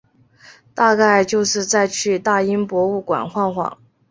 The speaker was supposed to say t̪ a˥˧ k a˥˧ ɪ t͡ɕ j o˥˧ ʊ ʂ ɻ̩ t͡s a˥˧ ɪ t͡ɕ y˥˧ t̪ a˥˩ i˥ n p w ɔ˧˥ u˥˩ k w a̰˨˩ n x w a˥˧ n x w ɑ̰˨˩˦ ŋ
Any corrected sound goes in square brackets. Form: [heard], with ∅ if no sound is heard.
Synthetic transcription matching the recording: t̪ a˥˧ k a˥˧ ɪ t͡ɕ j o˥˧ ʊ ʂ ɻ̩ t͡s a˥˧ ɪ [t͡ɕʰ] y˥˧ t̪ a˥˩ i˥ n p w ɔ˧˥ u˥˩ k w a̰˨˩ n x w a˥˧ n x w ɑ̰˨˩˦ ŋ